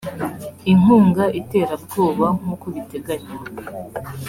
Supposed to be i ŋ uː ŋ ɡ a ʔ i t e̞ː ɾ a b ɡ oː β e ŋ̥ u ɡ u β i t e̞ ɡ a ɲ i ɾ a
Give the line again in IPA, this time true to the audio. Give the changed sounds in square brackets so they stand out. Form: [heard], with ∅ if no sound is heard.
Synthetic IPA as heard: i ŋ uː ŋ ɡ a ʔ i t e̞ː ɾ a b ɡ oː β [a] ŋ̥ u [k] u β i t e̞ ɡ a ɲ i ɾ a